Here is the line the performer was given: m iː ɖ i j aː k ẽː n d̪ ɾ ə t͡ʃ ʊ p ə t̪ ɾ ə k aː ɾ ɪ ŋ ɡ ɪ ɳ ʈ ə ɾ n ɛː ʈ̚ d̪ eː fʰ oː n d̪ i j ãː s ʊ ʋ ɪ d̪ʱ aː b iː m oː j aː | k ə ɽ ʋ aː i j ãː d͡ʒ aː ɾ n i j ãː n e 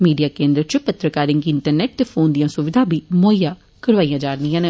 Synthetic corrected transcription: m iː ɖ i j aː k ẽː n d̪ ɾ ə t͡ʃ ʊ p ə t̪ ɾ ə k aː ɾ ɪ ŋ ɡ ɪ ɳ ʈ ə ɾ n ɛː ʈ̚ t̪ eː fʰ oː n d̪ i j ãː s ʊ ʋ ɪ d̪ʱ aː b iː m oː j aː | k ə ɽ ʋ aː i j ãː d͡ʒ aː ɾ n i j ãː n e